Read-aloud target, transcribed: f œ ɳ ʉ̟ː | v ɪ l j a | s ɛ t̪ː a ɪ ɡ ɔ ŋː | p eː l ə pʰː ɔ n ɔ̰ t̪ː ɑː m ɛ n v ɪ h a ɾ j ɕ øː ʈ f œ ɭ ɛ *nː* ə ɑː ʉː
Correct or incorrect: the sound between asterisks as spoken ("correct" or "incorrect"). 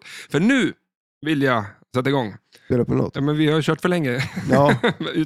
incorrect